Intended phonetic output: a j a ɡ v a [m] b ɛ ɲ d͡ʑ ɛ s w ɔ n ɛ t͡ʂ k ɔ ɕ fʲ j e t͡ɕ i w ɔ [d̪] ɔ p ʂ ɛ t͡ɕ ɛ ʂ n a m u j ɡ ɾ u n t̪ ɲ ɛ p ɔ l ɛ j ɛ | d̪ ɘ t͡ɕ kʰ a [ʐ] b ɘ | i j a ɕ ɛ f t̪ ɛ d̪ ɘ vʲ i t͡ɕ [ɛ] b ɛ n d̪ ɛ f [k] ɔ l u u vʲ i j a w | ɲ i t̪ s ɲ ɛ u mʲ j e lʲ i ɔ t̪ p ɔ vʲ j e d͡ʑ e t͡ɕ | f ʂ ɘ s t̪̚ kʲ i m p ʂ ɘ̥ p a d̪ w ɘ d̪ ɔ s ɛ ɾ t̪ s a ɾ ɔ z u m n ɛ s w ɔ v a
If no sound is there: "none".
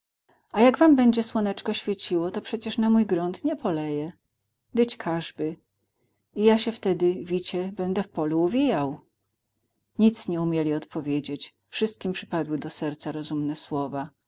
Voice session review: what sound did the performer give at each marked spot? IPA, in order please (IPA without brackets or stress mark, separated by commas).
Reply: m, t̪, ʐ, ɛ, p